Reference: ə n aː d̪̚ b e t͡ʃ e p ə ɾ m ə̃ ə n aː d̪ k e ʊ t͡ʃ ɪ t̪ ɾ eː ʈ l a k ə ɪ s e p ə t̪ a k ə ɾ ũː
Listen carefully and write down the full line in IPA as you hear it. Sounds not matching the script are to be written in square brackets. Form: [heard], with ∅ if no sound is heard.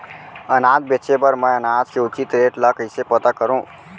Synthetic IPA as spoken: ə n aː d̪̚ b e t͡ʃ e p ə ɾ m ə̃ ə n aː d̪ k e ʊ t͡ʃ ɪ t̪ ɾ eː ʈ l a k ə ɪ s e p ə t̪ a k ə ɾ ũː